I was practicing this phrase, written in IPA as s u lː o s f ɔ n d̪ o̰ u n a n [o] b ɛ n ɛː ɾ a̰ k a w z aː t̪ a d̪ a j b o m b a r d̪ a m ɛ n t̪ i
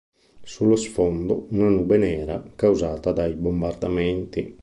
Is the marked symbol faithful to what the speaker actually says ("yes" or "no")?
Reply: no